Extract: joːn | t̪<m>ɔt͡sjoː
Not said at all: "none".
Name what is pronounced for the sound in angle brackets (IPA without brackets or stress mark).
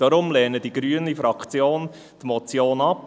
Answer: m